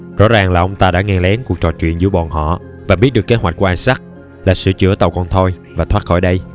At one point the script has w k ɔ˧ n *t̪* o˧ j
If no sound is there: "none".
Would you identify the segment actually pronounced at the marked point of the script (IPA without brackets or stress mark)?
t̪ʰ